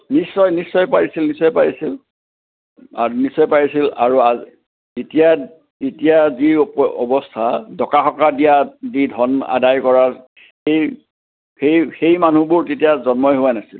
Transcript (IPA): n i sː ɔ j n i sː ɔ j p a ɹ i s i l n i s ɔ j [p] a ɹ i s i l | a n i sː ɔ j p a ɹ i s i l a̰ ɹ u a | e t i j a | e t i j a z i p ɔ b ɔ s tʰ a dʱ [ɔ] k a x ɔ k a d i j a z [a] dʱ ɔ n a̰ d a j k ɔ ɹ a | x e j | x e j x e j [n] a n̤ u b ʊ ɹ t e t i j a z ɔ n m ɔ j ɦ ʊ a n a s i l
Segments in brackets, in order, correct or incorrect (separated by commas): correct, correct, incorrect, incorrect